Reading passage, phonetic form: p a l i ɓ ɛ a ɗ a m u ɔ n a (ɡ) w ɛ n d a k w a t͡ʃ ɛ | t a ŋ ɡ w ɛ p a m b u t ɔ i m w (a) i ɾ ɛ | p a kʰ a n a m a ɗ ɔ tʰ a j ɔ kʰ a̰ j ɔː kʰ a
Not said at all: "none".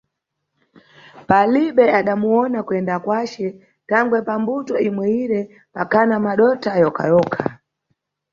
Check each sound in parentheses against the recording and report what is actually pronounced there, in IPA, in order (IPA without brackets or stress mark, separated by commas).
k, ɛ